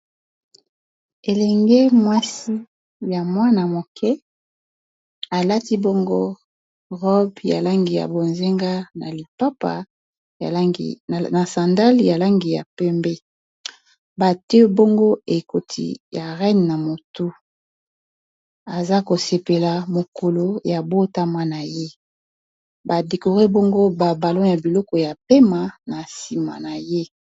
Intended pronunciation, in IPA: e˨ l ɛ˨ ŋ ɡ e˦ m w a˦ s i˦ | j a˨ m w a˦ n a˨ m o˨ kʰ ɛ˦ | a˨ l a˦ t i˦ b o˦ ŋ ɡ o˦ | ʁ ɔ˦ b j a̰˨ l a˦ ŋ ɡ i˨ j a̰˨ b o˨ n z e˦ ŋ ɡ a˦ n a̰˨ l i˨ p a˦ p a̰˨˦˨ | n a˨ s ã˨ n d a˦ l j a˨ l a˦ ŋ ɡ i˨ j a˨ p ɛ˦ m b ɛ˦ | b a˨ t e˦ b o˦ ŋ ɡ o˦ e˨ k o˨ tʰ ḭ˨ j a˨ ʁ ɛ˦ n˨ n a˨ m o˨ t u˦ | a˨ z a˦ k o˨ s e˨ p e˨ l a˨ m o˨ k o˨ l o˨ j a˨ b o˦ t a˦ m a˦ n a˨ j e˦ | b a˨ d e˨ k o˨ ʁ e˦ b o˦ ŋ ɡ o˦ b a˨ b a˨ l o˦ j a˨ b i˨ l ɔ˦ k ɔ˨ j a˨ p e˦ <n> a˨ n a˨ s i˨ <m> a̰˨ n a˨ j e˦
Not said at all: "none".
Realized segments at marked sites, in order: m, m

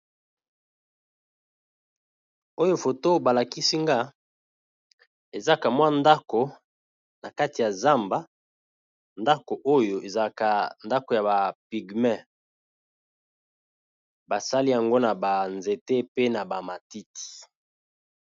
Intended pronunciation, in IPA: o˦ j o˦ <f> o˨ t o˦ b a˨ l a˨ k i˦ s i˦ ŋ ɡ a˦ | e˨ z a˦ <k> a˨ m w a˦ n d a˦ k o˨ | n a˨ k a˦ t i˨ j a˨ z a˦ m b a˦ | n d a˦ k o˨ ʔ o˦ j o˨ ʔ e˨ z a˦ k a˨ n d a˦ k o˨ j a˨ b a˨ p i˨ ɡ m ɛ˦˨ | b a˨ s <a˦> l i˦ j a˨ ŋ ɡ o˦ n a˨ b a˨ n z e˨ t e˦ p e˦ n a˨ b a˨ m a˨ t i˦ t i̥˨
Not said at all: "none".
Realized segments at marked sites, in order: f, k, a˦

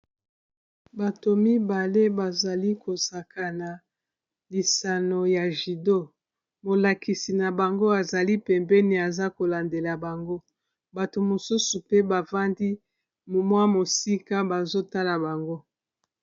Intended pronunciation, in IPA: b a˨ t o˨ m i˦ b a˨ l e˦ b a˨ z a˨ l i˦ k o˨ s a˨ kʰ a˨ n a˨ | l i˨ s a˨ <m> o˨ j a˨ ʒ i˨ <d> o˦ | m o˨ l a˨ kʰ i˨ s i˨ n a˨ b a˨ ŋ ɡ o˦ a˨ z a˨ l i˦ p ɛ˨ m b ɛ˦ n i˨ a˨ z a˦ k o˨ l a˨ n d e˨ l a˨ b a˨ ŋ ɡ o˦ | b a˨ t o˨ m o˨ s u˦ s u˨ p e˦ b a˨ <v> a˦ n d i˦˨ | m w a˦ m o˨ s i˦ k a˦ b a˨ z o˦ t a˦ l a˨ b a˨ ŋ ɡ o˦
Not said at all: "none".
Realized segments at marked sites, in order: n, d, v

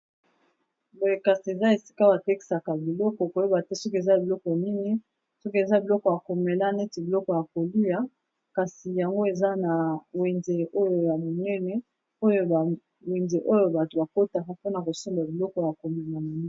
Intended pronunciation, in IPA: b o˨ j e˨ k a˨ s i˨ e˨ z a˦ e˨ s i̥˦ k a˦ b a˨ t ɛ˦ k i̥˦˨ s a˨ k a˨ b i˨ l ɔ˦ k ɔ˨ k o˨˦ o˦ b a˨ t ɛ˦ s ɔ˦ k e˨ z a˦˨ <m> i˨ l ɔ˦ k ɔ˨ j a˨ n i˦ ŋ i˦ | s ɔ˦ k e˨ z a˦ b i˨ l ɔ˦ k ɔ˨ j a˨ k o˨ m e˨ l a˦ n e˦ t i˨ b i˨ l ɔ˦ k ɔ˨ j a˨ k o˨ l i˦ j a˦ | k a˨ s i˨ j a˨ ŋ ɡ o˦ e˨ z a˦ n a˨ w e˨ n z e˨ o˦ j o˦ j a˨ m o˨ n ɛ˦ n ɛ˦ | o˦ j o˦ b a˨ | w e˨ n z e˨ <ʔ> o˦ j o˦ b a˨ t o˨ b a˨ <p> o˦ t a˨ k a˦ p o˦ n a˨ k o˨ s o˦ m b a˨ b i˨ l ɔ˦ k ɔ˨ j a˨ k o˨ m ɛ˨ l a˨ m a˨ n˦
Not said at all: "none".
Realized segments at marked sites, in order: b, ʔ, k

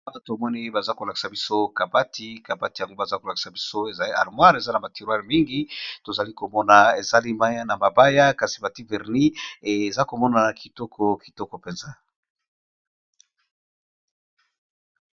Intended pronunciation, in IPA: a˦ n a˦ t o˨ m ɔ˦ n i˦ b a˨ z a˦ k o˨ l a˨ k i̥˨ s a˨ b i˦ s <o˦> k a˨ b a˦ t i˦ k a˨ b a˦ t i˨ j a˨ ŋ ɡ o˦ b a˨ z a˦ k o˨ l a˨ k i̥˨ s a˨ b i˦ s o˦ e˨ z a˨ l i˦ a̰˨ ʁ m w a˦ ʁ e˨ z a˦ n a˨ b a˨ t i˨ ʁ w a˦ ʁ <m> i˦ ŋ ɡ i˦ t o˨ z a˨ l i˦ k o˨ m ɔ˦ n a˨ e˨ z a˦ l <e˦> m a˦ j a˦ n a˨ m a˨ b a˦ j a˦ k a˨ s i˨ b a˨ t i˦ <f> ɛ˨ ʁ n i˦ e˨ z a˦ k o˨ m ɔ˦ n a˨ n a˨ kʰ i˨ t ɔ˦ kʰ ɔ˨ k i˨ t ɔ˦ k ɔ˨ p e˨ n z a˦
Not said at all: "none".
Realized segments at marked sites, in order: o˦, m, i˦, v

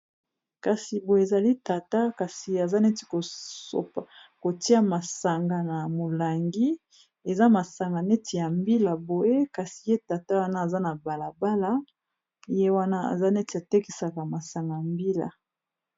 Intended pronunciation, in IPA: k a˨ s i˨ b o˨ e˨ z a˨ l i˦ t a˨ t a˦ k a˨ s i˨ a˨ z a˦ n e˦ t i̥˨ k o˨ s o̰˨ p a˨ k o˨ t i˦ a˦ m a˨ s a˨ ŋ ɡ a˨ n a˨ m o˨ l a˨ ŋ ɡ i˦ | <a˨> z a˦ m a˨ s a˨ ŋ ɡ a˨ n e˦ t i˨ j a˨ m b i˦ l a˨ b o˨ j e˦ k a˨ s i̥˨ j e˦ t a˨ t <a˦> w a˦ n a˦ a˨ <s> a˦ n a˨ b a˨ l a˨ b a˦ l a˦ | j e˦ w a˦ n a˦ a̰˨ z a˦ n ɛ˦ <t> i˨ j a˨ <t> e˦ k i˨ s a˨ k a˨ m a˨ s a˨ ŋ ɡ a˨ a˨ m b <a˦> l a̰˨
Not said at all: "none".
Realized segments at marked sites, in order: e˨, a˦, z, t, t, i˦

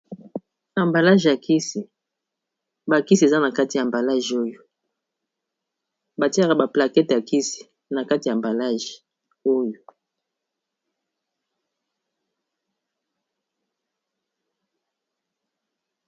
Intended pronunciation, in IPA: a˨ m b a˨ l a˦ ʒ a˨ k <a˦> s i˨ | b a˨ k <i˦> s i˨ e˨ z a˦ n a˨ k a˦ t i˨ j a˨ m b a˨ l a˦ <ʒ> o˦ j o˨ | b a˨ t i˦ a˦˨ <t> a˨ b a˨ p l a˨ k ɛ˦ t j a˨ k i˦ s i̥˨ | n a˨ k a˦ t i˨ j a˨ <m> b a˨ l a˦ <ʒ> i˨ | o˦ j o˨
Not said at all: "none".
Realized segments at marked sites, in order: i˦, i˦, ʒ, k, m, ʒ

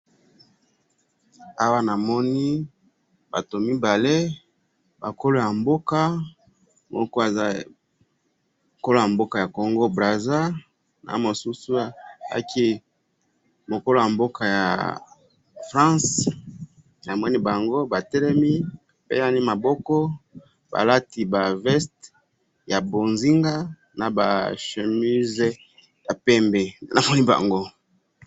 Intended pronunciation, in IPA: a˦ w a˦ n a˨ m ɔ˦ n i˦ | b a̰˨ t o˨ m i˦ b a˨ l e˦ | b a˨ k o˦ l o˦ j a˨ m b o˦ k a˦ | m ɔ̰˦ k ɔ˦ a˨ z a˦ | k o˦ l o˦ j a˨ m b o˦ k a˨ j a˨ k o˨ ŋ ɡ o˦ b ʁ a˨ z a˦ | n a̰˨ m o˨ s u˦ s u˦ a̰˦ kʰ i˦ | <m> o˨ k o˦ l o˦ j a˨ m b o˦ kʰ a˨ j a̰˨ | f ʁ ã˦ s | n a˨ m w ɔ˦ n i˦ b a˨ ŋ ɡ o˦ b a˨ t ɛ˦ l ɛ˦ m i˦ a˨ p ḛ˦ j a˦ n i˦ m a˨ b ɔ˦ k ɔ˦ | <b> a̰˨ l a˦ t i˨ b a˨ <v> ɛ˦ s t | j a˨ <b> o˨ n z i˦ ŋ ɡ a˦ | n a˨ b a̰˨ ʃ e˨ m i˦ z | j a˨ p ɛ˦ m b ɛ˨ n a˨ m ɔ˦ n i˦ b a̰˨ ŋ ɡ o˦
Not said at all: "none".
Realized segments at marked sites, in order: m, b, v, b

